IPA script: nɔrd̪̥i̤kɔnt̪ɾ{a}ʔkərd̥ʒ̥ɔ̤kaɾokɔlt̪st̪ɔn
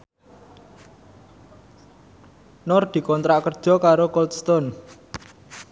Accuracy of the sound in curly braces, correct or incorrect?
correct